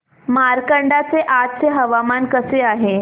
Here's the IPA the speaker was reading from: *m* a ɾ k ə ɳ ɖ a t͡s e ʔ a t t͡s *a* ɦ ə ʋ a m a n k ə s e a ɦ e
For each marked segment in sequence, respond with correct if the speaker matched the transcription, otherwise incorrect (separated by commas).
correct, incorrect